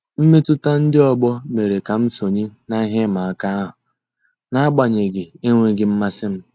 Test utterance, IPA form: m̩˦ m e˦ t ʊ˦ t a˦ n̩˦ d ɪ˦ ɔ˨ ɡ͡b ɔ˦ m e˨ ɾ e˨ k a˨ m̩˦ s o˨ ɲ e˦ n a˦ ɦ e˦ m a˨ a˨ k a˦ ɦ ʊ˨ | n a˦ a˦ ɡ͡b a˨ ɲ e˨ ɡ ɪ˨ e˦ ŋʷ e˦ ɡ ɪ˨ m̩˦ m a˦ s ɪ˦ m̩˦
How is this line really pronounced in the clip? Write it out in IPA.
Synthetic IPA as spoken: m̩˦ m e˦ t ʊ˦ t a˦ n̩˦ d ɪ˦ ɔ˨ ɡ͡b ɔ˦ m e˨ ɾ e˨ k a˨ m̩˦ s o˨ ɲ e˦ n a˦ ɦ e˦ m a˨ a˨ k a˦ ɦ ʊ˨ | n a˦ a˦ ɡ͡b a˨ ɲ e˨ ɡ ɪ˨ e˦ ŋʷ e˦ ɡ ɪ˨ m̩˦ m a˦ s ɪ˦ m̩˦